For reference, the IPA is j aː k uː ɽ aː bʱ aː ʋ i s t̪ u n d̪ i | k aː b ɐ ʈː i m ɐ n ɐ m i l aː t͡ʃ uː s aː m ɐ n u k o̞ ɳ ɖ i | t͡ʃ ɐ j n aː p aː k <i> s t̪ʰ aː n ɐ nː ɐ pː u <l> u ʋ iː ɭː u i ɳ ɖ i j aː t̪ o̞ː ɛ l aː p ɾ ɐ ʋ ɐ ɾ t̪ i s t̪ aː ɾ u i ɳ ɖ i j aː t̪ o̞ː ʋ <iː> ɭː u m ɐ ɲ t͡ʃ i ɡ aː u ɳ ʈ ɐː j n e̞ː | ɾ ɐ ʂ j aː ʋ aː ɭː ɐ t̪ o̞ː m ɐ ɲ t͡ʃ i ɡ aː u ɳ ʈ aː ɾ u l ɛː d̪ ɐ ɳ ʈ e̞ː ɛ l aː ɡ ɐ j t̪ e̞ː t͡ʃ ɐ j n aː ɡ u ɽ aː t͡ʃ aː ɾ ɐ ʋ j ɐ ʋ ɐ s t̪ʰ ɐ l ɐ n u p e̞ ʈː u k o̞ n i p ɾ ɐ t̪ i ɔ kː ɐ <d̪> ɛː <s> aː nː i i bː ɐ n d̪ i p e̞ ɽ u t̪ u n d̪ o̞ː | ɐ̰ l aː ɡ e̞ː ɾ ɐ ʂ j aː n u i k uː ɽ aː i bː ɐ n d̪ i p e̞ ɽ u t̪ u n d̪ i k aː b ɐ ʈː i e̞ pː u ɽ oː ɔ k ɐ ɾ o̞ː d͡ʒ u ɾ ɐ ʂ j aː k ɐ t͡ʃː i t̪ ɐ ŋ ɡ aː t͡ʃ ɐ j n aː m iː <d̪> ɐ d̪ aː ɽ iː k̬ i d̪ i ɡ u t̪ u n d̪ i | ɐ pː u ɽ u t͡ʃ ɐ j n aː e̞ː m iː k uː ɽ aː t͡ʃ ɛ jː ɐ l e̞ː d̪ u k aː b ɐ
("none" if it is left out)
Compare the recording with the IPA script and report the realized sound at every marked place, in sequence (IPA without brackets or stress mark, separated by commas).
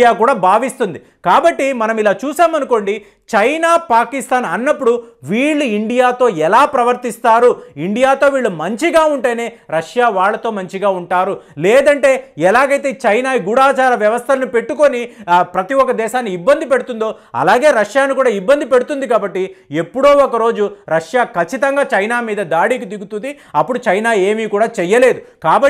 i, ɽ, iː, d̪, ʃ, d̪